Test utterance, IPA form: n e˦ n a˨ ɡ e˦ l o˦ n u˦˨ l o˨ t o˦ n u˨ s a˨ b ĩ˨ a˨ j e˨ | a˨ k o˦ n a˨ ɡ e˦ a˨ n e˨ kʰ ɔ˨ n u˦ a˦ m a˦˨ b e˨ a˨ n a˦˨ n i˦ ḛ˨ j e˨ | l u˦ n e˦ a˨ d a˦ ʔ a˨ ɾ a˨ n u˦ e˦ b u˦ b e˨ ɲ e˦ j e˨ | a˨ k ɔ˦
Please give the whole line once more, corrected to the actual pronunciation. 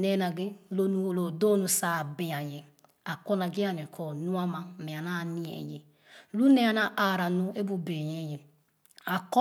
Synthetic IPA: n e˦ n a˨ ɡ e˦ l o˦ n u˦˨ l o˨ d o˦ n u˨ s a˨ b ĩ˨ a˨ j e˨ | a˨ k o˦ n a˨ ɡ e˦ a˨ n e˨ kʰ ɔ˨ n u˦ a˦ m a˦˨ m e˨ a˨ n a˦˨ n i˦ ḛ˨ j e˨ | l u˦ n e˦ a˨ n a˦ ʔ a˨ ɾ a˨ n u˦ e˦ b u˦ b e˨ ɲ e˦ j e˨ | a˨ k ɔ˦